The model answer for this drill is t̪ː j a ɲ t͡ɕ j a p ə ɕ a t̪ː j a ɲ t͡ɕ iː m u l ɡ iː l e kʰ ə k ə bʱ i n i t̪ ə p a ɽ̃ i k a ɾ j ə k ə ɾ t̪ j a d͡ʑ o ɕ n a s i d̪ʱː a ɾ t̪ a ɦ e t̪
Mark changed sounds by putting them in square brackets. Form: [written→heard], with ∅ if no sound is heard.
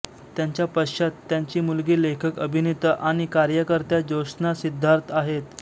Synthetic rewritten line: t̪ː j a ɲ t͡ɕ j a p ə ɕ a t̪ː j a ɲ t͡ɕ iː m u l ɡ iː l e kʰ ə k ə bʱ i n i t̪ ə [p→ʔ] a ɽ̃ i k a ɾ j ə k ə ɾ t̪ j a d͡ʑ o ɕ n a s i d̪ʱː a ɾ t̪ a ɦ e t̪